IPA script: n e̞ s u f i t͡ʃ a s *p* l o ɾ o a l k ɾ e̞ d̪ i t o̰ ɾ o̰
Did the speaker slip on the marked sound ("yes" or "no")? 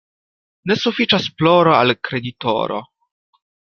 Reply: no